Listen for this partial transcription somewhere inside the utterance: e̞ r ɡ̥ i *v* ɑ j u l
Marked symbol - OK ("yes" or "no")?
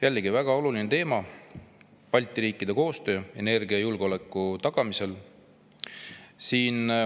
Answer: no